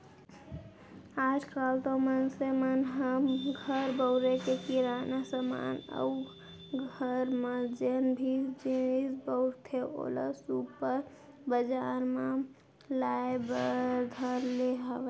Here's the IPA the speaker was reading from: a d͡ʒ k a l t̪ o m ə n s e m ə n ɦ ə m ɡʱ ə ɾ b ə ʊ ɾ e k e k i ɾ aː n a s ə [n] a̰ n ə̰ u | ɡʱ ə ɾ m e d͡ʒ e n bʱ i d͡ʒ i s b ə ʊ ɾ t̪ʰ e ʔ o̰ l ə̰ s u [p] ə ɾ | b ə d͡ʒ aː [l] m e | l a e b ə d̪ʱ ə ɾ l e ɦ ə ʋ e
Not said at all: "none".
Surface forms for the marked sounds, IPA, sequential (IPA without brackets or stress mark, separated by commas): m, p, ɾ